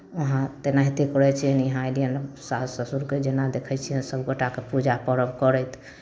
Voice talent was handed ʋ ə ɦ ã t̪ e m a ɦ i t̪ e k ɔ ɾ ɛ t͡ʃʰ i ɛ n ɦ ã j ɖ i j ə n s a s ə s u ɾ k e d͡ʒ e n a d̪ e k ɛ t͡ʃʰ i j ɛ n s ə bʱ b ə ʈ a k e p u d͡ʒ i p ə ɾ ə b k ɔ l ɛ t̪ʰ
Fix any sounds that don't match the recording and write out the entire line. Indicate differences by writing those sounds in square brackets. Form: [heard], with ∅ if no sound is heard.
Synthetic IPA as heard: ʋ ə ɦ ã t̪ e [n] a ɦ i t̪ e k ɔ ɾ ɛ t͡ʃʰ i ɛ n ɦ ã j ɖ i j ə n s a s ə s u ɾ k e d͡ʒ e n a d̪ e [kʰ] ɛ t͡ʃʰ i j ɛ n s ə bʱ [ɡ] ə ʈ a k e p u d͡ʒ [a] p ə ɾ ə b k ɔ [ɾ] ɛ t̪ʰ